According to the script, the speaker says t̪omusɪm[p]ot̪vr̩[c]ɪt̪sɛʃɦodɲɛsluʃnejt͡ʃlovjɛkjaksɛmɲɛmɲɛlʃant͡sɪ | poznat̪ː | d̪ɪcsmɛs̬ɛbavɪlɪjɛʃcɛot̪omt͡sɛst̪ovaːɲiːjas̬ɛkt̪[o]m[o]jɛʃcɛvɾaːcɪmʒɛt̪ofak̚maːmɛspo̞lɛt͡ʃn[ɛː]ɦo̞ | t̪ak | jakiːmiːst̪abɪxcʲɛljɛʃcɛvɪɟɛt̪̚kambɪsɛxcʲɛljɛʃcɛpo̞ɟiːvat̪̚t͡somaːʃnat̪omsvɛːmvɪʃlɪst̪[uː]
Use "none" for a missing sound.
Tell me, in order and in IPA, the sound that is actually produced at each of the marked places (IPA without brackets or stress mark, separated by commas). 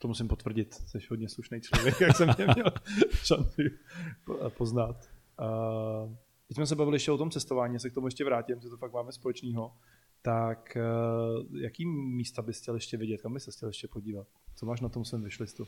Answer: p, ɟ, o, u, iː, u